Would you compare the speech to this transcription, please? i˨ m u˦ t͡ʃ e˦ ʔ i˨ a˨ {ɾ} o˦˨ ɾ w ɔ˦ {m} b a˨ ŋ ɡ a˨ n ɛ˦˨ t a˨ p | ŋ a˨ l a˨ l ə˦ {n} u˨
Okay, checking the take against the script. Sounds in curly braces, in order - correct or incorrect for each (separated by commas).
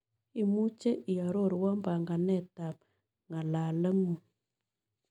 correct, correct, incorrect